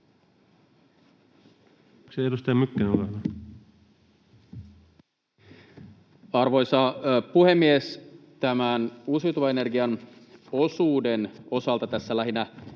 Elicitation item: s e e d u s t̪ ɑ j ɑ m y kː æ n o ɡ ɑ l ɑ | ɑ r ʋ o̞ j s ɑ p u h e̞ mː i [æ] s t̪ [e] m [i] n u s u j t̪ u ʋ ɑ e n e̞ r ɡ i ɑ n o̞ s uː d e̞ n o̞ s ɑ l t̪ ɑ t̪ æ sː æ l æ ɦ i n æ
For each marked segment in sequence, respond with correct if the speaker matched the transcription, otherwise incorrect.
incorrect: e, incorrect: æ, incorrect: æ

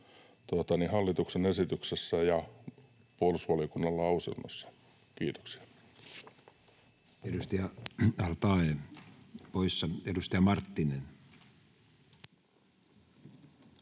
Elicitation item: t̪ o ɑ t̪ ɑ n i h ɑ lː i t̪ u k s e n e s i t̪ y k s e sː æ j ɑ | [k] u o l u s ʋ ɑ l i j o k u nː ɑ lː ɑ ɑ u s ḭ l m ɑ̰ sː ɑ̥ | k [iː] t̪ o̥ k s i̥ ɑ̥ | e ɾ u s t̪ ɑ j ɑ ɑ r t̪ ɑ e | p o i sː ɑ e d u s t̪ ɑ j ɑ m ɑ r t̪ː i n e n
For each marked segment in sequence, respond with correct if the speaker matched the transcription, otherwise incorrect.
incorrect: p, correct

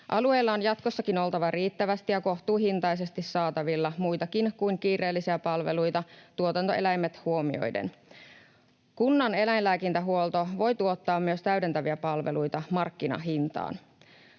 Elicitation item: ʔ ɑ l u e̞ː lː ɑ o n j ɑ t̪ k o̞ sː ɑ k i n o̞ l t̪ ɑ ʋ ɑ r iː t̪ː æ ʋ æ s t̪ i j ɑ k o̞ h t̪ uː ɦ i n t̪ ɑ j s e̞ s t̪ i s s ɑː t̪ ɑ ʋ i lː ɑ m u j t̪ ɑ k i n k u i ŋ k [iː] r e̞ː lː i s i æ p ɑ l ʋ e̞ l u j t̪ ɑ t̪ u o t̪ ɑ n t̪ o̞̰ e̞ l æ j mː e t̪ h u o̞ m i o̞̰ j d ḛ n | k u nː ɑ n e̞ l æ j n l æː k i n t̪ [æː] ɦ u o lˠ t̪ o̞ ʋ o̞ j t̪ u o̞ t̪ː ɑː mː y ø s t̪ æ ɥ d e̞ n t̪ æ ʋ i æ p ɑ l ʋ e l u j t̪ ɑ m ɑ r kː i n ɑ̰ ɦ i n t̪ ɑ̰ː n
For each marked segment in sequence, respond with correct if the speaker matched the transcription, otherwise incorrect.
correct, incorrect: æ

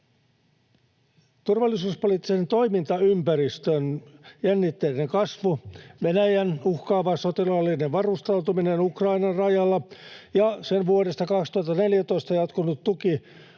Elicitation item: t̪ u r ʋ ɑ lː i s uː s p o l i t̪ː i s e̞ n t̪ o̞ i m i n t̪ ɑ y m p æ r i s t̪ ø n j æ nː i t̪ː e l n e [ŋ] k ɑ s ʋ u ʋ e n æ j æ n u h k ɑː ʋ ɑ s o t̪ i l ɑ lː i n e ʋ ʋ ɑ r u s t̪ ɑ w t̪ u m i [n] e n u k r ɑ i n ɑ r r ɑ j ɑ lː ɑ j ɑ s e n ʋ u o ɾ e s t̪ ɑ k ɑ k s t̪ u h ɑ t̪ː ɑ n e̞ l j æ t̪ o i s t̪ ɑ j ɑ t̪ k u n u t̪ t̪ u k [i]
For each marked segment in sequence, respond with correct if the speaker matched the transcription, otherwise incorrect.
correct, correct, correct

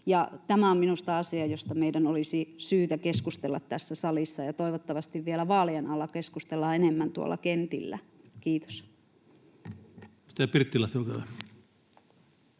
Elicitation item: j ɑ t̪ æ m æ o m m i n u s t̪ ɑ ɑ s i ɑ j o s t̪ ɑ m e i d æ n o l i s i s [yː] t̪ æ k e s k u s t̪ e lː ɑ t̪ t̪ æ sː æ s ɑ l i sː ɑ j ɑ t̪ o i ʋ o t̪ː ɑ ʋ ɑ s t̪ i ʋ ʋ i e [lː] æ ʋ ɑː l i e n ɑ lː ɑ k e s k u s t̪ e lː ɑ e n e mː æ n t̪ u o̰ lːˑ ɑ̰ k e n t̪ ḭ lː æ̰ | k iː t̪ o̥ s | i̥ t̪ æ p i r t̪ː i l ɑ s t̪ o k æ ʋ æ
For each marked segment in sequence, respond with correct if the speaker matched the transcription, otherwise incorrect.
correct, incorrect: l

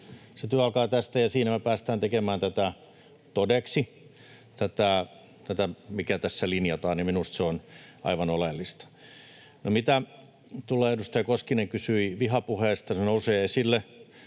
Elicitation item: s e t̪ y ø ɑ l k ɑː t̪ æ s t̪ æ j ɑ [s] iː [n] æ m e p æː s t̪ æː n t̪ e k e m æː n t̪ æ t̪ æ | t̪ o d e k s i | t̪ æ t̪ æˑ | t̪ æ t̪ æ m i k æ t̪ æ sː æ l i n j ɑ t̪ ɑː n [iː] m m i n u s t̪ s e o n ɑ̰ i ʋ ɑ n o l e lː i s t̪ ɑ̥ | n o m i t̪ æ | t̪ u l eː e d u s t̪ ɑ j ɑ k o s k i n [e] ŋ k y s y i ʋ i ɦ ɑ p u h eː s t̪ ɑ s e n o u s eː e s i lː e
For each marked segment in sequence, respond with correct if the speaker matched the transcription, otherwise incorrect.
correct, correct, incorrect: i, correct

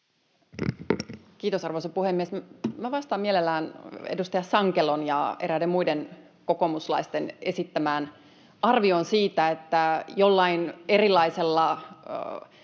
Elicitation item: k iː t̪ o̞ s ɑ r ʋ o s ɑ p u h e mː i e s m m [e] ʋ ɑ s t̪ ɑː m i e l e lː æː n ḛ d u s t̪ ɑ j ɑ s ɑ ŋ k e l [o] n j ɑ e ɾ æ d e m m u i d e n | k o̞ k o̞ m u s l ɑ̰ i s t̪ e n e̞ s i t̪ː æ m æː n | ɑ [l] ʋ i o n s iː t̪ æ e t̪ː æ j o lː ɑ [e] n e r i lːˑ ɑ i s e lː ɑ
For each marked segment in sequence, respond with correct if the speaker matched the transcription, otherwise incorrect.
incorrect: æ, correct, incorrect: r, incorrect: i

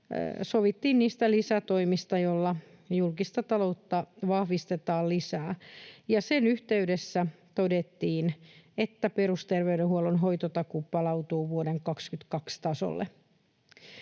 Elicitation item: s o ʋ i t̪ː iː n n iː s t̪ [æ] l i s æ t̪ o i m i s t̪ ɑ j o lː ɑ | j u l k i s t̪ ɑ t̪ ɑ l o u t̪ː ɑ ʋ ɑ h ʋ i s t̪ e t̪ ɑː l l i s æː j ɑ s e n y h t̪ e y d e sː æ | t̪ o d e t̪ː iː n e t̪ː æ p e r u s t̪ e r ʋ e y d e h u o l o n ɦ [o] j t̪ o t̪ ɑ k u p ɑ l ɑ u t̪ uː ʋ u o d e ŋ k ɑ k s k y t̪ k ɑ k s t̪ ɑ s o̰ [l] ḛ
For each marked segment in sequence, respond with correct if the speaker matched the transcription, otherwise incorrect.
correct, correct, incorrect: lː

